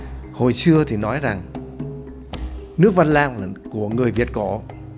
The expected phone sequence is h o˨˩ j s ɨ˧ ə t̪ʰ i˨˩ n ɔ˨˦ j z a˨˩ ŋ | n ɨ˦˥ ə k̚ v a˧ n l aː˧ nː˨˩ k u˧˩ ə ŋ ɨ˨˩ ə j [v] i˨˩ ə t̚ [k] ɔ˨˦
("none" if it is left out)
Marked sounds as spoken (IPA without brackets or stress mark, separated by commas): v, k